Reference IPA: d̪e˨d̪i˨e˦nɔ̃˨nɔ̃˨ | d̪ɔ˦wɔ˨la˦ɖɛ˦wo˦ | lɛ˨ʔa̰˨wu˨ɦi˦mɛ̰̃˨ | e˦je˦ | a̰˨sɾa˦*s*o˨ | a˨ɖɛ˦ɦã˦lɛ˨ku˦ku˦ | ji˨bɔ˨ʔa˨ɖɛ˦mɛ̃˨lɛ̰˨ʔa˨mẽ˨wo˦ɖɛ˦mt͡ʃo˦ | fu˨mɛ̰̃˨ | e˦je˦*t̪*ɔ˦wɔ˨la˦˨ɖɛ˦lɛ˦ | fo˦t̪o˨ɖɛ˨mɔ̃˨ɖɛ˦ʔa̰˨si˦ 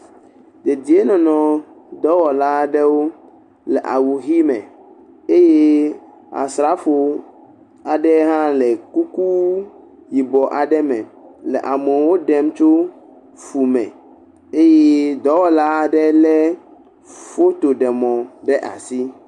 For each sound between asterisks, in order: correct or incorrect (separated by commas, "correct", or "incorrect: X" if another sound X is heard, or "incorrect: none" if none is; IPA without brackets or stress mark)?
incorrect: f, incorrect: d̪